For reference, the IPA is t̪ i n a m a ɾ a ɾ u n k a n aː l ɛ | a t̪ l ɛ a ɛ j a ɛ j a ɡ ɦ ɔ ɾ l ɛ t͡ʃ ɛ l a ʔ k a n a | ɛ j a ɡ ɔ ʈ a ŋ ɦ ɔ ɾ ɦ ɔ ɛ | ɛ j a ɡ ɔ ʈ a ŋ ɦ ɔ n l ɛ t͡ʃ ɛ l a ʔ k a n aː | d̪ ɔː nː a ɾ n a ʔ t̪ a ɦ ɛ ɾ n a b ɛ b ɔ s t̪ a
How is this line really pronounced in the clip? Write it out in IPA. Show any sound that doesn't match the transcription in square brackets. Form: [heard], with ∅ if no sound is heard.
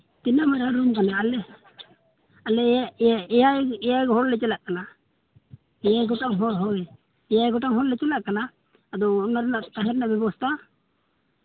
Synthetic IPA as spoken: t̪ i n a m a ɾ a ɾ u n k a n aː l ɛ | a [∅] l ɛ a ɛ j a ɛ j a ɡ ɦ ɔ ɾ l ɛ t͡ʃ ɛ l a ʔ k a n a | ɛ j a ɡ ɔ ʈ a ŋ ɦ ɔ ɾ ɦ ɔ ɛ | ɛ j a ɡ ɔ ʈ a ŋ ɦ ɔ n l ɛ t͡ʃ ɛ l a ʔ k a n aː | d̪ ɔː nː a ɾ n a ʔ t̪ a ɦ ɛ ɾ n a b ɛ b ɔ s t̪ a